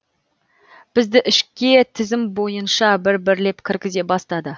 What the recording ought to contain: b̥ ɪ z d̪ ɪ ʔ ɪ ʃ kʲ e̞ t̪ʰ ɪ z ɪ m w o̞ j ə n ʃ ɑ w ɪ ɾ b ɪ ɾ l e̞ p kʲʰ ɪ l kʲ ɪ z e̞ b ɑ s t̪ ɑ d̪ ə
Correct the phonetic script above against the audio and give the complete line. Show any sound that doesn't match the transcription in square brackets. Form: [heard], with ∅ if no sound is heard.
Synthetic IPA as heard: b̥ ɪ z d̪ ɪ ʔ ɪ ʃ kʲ e̞ t̪ʰ ɪ z ɪ m [b] o̞ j ə n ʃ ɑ [b] ɪ ɾ b ɪ ɾ l e̞ p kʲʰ ɪ [ɾ] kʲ ɪ z e̞ b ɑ s t̪ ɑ d̪ ə